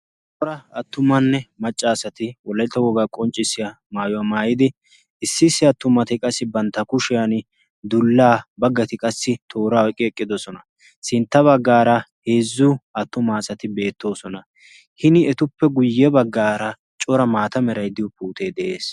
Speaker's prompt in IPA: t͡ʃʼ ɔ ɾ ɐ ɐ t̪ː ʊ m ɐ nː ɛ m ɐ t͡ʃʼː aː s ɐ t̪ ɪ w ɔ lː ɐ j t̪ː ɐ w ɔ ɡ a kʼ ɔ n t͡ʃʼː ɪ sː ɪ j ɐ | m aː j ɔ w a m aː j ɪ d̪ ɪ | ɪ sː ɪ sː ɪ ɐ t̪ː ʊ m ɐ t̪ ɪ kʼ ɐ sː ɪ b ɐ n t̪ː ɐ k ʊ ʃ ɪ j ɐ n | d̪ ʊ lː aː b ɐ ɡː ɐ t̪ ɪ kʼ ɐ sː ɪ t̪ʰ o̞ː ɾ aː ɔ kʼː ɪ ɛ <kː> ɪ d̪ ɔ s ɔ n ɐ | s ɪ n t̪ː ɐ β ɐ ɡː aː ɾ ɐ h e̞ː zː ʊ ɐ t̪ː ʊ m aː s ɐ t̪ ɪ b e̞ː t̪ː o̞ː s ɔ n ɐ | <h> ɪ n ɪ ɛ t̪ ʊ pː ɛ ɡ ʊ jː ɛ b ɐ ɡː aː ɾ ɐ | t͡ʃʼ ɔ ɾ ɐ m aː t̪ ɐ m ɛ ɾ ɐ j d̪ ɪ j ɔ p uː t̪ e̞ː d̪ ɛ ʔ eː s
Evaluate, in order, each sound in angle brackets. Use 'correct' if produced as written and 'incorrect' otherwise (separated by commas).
incorrect, correct